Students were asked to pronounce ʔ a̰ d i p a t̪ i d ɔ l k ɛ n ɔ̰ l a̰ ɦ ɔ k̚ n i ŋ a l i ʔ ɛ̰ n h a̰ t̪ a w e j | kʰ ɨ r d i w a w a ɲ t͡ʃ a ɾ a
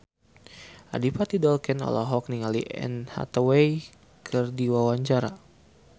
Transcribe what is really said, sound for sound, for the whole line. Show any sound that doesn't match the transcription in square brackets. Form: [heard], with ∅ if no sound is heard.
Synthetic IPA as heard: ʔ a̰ d i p a t̪ i d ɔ l k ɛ n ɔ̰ l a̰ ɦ ɔ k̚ n i ŋ a l i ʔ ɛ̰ n h a̰ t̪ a w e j | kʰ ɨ r d i w a w a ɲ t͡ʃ a ɾ a